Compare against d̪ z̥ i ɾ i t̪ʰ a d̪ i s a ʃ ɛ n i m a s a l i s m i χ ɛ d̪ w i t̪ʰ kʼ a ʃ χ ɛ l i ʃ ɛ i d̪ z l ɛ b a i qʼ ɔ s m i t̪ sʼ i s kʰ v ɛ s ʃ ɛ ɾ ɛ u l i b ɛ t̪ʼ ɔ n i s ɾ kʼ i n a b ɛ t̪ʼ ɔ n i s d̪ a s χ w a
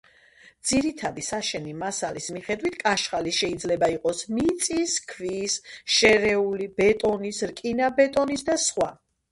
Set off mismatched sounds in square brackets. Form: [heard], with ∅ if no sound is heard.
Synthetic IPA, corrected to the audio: d̪ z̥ i ɾ i t̪ʰ a d̪ i s a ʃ ɛ n i m a s a l i s m i χ ɛ d̪ w i t̪ʰ kʼ a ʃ χ [a] l i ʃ ɛ i d̪ z l ɛ b a i qʼ ɔ s m i t̪ sʼ i s kʰ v [i] s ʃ ɛ ɾ ɛ u l i b ɛ t̪ʼ ɔ n i s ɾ kʼ i n a b ɛ t̪ʼ ɔ n i s d̪ a s χ w a